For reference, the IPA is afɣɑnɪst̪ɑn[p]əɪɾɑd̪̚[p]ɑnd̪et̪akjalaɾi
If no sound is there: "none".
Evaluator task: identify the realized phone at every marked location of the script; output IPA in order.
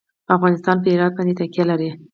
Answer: p, b

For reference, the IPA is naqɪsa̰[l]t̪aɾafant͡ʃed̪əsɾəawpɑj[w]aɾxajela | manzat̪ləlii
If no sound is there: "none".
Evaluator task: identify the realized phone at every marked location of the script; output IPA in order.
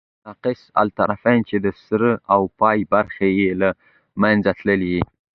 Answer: l, b

